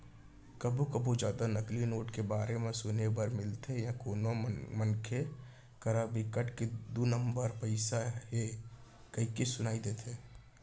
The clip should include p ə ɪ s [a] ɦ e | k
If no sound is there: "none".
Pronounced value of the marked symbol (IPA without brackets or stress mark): a